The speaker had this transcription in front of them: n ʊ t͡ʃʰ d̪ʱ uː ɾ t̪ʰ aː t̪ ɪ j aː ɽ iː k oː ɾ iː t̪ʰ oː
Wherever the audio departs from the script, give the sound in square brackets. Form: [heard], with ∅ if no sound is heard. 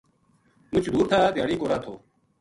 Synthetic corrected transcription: [m] ʊ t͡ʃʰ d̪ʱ uː ɾ t̪ʰ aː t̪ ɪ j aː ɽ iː k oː ɾ [aː] t̪ʰ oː